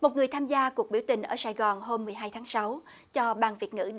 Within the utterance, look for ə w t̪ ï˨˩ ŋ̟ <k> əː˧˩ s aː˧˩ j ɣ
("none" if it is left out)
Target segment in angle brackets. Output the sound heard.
ʔ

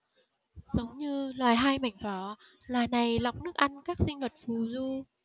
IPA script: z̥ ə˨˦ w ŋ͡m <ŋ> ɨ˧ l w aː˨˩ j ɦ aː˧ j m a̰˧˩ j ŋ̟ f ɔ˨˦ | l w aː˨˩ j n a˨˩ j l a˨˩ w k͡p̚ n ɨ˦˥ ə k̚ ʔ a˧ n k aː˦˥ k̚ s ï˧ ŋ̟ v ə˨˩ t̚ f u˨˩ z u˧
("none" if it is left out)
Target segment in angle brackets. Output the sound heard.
ɲ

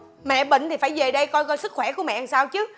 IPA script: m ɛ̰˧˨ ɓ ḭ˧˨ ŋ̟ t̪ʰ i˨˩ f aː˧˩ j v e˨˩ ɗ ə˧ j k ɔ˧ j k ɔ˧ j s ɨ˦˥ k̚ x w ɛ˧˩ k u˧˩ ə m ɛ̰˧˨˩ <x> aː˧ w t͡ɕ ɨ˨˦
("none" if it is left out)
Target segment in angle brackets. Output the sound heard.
s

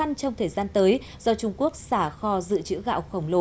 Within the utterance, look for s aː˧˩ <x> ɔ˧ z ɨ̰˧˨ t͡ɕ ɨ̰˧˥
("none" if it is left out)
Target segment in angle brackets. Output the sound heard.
x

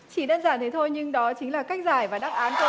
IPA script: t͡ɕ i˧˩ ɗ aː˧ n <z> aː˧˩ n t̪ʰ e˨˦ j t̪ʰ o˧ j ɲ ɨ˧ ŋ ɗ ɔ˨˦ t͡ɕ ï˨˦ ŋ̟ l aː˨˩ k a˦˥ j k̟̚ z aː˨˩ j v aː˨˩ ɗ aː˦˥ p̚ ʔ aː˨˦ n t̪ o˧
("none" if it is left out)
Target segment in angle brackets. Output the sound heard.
z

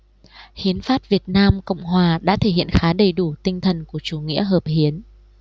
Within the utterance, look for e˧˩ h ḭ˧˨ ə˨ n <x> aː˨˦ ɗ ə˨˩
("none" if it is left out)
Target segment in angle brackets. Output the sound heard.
x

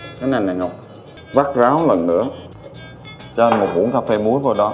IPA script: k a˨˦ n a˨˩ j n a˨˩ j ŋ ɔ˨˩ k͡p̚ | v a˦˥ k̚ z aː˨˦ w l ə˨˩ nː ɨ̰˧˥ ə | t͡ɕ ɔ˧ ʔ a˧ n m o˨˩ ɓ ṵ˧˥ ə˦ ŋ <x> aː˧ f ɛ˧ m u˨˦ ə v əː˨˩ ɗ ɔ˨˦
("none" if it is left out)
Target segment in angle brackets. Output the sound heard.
k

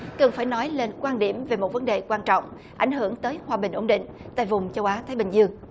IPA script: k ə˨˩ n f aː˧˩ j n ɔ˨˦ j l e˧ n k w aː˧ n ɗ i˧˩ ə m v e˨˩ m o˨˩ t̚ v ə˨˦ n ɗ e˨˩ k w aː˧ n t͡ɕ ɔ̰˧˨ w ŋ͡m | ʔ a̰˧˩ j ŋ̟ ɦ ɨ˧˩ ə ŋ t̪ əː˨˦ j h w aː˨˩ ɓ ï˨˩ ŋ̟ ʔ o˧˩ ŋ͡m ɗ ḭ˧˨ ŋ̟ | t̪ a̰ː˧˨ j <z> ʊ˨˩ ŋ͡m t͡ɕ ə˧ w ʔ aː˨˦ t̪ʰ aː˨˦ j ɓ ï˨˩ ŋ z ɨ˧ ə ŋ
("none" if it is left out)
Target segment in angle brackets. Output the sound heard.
v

